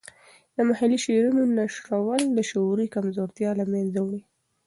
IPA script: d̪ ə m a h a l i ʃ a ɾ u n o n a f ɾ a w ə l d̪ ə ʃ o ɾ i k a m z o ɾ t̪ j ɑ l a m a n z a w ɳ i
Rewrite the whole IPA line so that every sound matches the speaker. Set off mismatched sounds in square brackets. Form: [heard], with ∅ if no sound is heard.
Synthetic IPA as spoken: d̪ ə m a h a l i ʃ [e] ɾ u n o n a [ʃ] ɾ a w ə l d̪ ə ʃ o ɾ i k a m z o ɾ t̪ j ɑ l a m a n z a w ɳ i